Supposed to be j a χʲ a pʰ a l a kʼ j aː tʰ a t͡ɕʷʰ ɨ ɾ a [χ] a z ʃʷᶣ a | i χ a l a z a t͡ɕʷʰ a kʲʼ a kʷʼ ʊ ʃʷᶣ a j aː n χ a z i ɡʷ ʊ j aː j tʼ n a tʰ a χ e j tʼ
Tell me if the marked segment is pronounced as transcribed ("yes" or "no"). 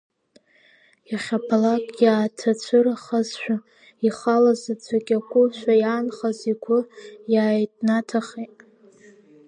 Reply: yes